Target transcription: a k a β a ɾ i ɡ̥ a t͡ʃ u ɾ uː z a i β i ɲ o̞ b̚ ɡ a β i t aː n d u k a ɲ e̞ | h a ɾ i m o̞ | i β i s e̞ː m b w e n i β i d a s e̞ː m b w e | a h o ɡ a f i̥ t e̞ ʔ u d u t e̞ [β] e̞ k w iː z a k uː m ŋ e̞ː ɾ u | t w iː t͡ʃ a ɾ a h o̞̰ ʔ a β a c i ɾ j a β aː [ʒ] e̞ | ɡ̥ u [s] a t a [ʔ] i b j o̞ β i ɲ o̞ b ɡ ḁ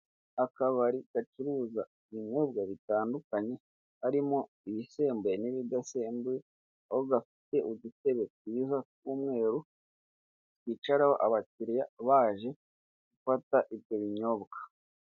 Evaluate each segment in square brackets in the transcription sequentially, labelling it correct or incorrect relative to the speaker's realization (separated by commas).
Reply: correct, correct, incorrect, correct